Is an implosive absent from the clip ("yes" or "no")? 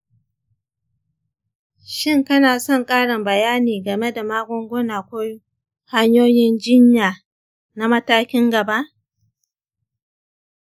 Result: yes